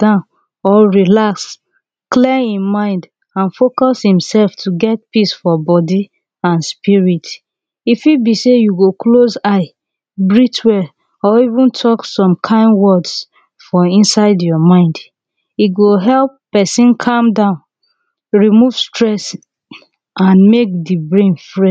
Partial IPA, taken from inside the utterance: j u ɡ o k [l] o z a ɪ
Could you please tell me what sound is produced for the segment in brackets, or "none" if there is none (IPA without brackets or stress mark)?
l